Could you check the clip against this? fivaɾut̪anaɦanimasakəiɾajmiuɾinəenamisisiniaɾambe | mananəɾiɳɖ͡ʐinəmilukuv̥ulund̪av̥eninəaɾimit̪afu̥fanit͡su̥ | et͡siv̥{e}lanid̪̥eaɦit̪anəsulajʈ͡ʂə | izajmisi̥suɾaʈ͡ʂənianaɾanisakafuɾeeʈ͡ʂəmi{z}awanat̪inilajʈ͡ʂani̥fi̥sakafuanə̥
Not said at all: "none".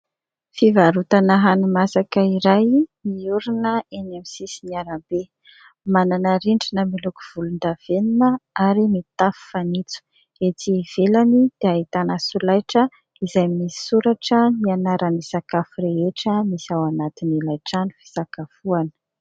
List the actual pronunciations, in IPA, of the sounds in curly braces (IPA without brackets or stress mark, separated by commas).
e, s